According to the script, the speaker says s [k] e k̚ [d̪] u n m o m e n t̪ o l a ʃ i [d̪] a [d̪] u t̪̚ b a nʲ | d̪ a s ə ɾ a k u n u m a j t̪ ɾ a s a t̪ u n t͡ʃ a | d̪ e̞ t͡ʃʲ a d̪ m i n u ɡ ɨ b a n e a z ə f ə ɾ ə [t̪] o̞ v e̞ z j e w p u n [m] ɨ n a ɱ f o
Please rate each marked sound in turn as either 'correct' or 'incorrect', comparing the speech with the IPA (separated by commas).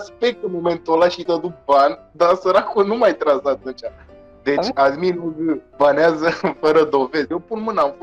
incorrect, incorrect, incorrect, correct, incorrect, correct